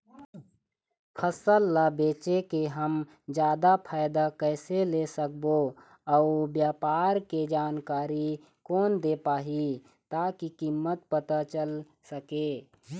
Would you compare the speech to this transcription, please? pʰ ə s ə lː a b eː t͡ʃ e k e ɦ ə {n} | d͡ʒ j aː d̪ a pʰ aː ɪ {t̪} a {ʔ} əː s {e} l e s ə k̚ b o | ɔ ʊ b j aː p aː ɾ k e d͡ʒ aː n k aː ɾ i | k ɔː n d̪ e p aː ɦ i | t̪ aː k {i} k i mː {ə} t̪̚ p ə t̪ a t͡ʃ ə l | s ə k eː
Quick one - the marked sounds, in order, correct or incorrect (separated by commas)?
incorrect, incorrect, incorrect, correct, correct, correct